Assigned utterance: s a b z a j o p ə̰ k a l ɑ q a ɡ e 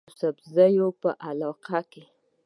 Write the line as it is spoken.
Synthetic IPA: s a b z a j o p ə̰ ʔ a l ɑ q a k e